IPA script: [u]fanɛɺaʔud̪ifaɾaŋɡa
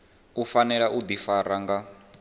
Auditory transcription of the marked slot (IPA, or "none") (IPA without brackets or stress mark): u